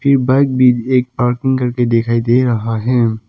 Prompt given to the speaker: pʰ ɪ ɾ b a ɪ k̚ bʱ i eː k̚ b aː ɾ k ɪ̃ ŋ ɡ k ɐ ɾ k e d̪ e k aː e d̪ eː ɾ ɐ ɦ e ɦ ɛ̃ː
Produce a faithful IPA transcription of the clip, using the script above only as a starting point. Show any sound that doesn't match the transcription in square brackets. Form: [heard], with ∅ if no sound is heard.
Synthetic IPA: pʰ ɪ ɾ b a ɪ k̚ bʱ i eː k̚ [p] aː ɾ k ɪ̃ ŋ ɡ k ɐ ɾ k e d̪ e [kʰ] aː [i] d̪ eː ɾ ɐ ɦ [a] ɦ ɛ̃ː